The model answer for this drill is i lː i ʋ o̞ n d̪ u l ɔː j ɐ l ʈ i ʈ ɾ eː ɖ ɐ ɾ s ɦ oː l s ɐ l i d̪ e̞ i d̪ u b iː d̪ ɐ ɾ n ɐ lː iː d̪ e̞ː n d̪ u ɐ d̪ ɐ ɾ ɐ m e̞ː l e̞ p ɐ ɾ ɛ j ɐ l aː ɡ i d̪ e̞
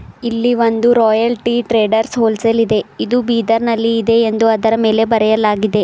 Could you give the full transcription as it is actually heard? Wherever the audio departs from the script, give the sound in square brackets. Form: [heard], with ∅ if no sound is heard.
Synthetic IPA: i lː i ʋ o̞ n d̪ u [ɾ] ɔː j ɐ l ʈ i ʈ ɾ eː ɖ ɐ ɾ s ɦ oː l s ɐ l i d̪ e̞ i d̪ u b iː d̪ ɐ ɾ n ɐ lː iː d̪ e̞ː n d̪ u ɐ d̪ ɐ ɾ ɐ m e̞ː l e̞ [b] ɐ ɾ ɛ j ɐ l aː ɡ i d̪ e̞